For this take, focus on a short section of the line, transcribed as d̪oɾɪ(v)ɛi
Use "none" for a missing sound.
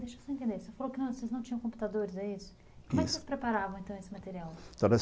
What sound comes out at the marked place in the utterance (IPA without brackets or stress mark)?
z